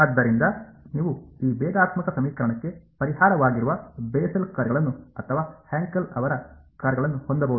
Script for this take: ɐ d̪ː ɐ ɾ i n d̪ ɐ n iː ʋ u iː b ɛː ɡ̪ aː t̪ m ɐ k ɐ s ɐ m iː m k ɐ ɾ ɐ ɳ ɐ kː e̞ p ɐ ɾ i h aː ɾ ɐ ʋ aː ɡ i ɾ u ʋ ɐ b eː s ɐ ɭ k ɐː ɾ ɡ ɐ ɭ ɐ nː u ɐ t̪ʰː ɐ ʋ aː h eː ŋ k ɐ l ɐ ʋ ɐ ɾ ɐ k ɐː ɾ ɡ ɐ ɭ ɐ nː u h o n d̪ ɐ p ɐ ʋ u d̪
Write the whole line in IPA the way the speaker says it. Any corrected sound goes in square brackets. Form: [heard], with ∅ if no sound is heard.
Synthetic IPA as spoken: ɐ d̪ː ɐ ɾ i n d̪ ɐ n iː ʋ u iː b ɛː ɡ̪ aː t̪ m ɐ k ɐ s ɐ m iː [∅] k ɐ ɾ ɐ ɳ ɐ kː e̞ p ɐ ɾ i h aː ɾ ɐ ʋ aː ɡ i ɾ u ʋ ɐ b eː s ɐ [l] k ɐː ɾ ɡ ɐ ɭ ɐ nː u ɐ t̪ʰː ɐ ʋ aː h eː ŋ k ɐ l ɐ ʋ ɐ ɾ ɐ k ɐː ɾ ɡ ɐ ɭ ɐ nː u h o n d̪ ɐ [b] ɐ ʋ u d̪